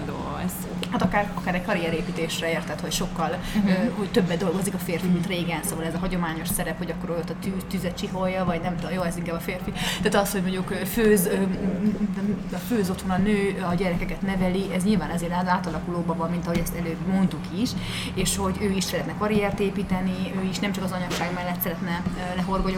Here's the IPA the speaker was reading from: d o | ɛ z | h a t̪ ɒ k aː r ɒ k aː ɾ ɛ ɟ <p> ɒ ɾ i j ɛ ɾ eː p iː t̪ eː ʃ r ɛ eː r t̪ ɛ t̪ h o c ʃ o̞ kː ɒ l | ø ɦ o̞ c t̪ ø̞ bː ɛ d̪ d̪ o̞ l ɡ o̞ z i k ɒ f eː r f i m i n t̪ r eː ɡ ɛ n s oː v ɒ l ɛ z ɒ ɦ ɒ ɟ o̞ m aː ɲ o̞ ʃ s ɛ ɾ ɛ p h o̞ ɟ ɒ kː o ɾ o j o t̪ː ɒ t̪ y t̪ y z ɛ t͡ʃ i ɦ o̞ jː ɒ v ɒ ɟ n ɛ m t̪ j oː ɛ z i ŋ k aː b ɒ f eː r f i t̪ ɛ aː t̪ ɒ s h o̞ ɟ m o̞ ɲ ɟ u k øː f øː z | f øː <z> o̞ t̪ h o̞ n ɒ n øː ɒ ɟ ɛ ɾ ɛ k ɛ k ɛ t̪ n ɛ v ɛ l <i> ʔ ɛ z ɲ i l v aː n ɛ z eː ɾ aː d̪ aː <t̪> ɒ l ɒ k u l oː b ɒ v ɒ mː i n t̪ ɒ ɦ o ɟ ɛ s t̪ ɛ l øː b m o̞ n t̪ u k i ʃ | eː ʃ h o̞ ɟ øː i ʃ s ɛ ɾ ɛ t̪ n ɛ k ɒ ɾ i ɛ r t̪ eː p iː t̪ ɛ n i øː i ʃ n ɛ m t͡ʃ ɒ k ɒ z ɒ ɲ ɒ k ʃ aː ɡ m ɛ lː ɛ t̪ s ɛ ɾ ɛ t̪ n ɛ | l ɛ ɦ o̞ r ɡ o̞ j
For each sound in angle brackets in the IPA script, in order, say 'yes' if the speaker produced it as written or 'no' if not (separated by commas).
no, yes, yes, yes